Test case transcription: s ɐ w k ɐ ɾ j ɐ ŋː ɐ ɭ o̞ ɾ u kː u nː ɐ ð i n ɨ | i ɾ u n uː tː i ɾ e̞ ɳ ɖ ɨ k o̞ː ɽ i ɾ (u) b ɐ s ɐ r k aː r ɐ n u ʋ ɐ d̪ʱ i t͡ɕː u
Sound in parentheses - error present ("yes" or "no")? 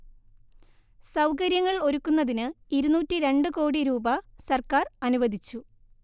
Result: yes